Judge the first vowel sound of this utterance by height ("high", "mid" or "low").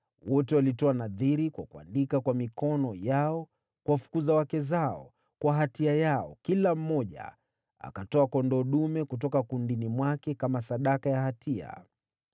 mid